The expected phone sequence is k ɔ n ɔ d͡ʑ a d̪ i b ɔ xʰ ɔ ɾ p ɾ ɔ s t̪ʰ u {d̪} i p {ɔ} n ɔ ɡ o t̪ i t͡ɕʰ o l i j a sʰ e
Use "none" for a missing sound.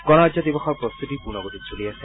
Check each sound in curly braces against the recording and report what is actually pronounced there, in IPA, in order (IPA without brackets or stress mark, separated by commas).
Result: t̪, u